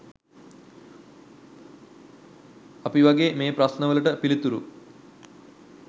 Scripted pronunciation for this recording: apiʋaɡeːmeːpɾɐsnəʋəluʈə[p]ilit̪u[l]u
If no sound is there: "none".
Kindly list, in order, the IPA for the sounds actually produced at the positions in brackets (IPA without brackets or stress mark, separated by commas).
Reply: p, ɾ